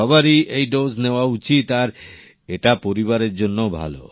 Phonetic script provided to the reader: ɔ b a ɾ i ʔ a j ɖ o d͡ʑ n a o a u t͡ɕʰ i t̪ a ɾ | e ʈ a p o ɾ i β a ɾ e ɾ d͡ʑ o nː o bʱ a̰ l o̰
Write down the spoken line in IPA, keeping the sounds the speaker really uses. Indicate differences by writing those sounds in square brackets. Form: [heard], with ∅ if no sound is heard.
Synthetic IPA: ɔ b a ɾ i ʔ [e] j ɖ o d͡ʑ n [e] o a u [t͡ɕ] i t̪ a ɾ | e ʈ a p o ɾ i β a ɾ e ɾ d͡ʑ o nː o bʱ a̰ l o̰

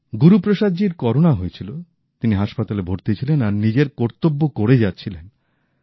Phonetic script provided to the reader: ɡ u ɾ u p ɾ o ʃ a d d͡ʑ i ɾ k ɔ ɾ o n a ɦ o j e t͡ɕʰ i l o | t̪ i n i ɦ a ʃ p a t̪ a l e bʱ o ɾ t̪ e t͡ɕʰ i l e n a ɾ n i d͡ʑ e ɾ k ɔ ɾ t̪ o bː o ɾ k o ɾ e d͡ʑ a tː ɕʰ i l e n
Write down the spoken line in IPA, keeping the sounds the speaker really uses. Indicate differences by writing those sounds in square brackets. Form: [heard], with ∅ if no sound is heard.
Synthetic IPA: ɡ u ɾ u p ɾ o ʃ a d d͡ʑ i ɾ k ɔ ɾ o n a ɦ o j e t͡ɕʰ i l o | t̪ i n i ɦ a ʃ p a t̪ a l e bʱ o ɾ t̪ e t͡ɕʰ i l e n a ɾ n i d͡ʑ e ɾ k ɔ ɾ t̪ o bː o [∅] k o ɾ e d͡ʑ a tː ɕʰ i l e n

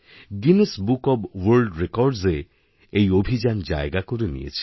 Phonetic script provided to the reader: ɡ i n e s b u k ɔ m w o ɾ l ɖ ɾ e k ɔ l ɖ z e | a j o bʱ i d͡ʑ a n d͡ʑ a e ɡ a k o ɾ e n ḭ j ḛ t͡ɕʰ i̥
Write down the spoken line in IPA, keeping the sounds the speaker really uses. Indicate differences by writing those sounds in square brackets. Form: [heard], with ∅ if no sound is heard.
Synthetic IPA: ɡ i n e s b u k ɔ [b] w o ɾ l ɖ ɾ e k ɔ [ɾ] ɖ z e | [e] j o bʱ i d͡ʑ a n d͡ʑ a e ɡ a k o ɾ e n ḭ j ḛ t͡ɕʰ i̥

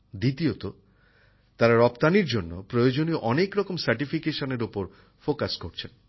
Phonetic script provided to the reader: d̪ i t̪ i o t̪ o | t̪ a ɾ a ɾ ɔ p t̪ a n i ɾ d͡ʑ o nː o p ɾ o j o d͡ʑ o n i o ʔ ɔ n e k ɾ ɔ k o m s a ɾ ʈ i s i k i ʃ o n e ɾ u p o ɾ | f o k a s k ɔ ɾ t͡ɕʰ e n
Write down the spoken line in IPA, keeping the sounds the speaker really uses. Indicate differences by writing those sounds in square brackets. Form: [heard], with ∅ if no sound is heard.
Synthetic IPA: d̪ i t̪ i o t̪ o | t̪ a ɾ a ɾ ɔ p t̪ a n i ɾ d͡ʑ o nː o p ɾ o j o d͡ʑ o n i o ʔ ɔ n e k ɾ ɔ k o m s a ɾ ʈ i [f] i k [e] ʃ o n e ɾ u p o ɾ | f o k a s k [o] ɾ t͡ɕʰ e n

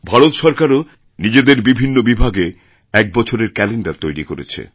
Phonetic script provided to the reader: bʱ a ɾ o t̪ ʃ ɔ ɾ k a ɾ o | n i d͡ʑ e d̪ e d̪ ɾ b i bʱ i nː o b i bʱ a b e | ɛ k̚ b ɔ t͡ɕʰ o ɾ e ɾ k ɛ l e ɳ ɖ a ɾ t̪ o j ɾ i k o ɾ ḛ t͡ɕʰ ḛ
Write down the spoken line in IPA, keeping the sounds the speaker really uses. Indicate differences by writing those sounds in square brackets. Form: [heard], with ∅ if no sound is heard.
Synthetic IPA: bʱ a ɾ o t̪ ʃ ɔ ɾ k a ɾ o | n i d͡ʑ e d̪ e [∅] ɾ b i bʱ i nː o b i bʱ a [ɡ] e | ɛ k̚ b ɔ t͡ɕʰ o ɾ e ɾ k ɛ l e ɳ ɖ a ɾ t̪ o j ɾ i k o ɾ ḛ t͡ɕʰ ḛ

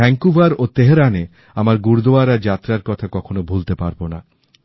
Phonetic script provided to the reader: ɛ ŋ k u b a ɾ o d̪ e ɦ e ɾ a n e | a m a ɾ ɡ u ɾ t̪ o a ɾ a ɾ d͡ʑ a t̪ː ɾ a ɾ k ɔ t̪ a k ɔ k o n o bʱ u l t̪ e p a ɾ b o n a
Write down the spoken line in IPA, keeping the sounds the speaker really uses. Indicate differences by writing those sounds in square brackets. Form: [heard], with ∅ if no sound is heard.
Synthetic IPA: ɛ ŋ k u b a ɾ o [t̪] e ɦ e ɾ a n e | a m a ɾ ɡ u ɾ [d̪] o a ɾ a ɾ d͡ʑ a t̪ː ɾ a ɾ k ɔ [t̪ʰ] a k ɔ [kʰ] o n o bʱ u l t̪ e p a ɾ b o n a

